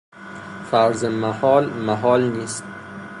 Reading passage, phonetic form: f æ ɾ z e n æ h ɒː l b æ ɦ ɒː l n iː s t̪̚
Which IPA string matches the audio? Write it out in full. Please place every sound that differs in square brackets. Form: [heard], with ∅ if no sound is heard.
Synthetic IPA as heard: f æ ɾ z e [m] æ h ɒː l [m] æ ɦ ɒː l n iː s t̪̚